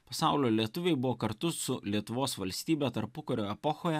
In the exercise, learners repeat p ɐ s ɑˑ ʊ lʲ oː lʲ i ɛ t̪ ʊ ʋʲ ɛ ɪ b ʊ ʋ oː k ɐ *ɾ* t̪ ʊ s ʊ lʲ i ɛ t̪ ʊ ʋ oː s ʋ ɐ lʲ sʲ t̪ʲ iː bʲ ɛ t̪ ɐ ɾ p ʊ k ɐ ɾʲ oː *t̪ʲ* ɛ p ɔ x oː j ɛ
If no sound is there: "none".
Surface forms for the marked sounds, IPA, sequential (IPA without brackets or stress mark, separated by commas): ɾ, none